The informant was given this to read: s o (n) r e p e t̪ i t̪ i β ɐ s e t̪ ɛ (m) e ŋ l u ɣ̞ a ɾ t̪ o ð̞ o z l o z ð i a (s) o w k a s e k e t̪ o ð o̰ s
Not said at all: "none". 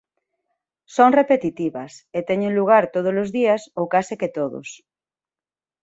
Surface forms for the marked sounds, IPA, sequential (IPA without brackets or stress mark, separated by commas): ŋ, ɲ, s